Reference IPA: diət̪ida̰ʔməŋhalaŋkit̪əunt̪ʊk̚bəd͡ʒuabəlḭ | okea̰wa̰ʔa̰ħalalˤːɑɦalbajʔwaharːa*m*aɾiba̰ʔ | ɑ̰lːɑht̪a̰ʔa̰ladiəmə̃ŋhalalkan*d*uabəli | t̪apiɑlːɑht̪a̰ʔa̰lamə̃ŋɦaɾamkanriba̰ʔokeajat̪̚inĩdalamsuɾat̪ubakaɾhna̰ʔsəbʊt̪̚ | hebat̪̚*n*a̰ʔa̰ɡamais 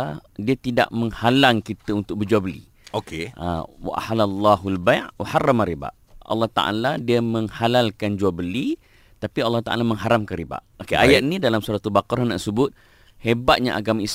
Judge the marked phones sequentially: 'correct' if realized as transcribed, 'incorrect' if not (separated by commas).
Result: correct, incorrect, incorrect